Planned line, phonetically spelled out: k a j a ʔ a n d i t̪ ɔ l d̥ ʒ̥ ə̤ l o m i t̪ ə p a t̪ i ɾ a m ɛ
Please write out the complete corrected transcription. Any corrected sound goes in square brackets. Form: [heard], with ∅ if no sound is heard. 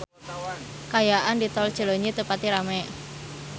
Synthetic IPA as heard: k a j a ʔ a n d i t̪ ɔ l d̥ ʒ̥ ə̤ l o [ɲ] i t̪ ə p a t̪ i ɾ a m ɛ